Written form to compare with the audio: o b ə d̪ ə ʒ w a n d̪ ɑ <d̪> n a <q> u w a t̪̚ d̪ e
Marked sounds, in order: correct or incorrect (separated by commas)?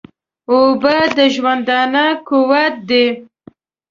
incorrect, incorrect